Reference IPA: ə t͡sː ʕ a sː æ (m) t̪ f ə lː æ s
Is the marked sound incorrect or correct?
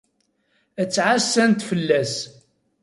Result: incorrect